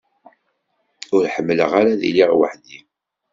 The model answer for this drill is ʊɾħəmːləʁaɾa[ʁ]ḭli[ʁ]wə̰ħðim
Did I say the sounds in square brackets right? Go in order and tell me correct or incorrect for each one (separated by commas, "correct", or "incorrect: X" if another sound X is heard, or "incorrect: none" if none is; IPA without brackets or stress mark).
incorrect: ð, correct